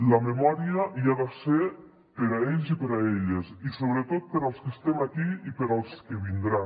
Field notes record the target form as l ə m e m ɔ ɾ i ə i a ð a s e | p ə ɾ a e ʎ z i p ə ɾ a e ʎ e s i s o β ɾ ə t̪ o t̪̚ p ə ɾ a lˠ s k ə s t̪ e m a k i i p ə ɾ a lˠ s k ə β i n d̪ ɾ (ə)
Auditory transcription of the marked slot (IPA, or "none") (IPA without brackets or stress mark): a